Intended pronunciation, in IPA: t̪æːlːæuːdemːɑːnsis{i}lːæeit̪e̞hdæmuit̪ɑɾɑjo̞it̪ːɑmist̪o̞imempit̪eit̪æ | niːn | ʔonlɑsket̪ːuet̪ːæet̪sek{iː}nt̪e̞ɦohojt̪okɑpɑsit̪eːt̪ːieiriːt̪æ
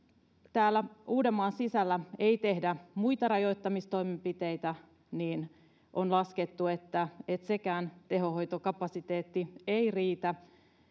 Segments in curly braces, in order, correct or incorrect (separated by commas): incorrect, incorrect